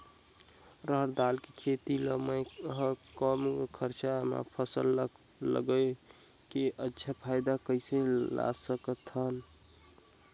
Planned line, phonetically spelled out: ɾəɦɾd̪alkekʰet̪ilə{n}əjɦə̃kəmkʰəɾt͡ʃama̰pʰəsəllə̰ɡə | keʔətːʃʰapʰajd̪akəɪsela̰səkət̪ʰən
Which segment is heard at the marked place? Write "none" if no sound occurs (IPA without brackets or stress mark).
m